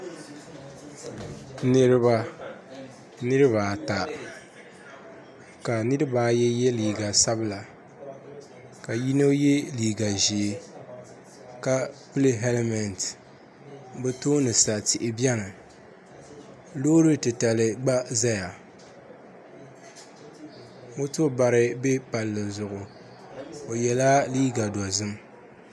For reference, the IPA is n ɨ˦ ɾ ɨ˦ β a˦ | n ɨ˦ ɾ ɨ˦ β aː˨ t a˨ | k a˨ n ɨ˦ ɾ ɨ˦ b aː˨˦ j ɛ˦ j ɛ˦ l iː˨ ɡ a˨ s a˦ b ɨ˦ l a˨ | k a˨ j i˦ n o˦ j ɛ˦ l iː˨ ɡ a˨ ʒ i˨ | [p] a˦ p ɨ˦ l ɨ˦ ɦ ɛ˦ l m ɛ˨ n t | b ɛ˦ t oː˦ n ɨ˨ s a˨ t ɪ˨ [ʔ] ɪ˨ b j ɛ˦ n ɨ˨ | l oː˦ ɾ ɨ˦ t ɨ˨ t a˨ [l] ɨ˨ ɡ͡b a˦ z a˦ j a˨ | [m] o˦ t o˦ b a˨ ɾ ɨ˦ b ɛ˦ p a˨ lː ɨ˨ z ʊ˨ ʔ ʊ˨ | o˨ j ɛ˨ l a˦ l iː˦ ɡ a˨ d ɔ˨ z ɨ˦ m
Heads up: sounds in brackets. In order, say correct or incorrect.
incorrect: k, correct, correct, correct

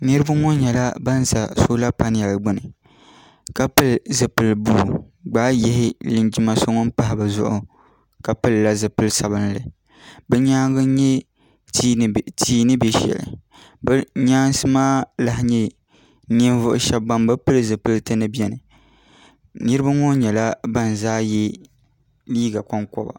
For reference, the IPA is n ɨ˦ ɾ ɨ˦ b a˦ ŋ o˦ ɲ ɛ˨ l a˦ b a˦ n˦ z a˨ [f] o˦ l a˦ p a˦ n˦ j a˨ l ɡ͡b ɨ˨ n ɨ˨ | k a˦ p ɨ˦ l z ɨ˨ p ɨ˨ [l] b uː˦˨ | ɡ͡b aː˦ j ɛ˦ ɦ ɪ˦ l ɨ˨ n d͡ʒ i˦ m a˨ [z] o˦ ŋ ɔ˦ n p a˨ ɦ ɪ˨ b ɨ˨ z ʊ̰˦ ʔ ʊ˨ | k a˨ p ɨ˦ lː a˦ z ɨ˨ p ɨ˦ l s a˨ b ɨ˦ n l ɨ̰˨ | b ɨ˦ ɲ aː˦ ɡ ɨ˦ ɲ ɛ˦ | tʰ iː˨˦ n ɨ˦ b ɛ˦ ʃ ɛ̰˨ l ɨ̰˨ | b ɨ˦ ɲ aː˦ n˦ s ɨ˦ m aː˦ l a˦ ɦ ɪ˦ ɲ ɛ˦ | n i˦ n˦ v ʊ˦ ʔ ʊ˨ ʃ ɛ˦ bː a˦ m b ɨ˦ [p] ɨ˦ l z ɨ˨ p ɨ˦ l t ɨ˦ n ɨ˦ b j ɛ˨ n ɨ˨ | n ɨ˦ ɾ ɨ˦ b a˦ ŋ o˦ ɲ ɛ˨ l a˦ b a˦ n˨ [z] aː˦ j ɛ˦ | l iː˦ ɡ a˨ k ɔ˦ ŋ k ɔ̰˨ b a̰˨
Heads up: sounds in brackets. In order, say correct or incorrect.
incorrect: s, correct, incorrect: s, correct, correct

